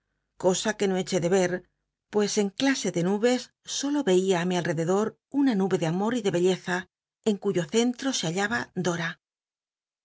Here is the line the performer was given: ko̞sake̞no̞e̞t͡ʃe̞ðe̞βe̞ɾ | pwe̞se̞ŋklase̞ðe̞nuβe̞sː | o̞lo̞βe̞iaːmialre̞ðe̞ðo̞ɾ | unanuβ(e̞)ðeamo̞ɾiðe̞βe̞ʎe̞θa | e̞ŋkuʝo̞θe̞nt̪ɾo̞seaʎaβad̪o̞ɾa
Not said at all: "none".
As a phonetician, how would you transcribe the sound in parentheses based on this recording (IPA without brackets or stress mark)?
e̞